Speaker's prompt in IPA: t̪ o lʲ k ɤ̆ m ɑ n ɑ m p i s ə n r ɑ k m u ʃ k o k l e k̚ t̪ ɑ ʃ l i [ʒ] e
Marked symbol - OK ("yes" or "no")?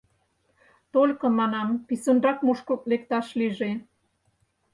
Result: yes